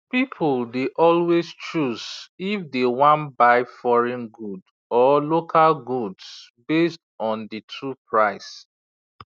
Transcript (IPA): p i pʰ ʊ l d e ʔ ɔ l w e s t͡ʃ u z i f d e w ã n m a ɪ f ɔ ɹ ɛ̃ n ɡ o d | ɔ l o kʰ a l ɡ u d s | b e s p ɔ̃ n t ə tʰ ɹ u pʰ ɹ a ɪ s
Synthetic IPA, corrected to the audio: p i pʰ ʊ l d e ʔ ɔ l w e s t͡ʃ u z i f d e w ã n b a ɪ f ɔ ɹ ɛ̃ n ɡ u d | ɔ l o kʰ a l ɡ u d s | b e s t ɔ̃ n d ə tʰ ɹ u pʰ ɹ a ɪ s